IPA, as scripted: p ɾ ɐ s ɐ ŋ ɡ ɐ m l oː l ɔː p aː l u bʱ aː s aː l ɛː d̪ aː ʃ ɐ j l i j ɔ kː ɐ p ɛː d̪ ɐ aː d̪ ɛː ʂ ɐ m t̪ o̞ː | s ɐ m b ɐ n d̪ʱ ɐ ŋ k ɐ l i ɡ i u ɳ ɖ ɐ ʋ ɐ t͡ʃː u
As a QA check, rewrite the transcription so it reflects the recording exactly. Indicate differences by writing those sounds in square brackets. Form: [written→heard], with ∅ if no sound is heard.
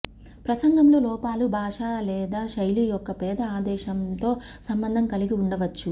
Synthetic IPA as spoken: p ɾ ɐ s ɐ ŋ ɡ ɐ m l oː l ɔː p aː l u bʱ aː [s→ʂ] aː l ɛː d̪ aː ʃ ɐ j l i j ɔ kː ɐ p ɛː d̪ ɐ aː d̪ ɛː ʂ ɐ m t̪ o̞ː | s ɐ m b ɐ n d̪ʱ ɐ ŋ k ɐ l i ɡ i u ɳ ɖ ɐ ʋ ɐ t͡ʃː u